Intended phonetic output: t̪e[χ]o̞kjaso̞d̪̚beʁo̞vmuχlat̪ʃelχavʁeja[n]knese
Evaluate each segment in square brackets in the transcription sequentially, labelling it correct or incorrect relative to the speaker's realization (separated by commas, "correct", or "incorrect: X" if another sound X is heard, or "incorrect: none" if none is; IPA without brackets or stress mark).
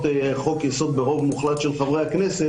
correct, incorrect: none